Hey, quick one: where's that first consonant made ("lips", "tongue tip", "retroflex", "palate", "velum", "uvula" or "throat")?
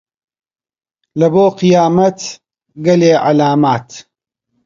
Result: tongue tip